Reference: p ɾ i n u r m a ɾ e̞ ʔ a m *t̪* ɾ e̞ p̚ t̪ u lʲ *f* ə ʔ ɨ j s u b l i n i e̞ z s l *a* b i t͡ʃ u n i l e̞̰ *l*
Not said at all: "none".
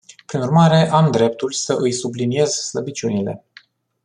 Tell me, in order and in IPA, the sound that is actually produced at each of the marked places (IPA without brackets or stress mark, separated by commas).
d̪, s, ə, none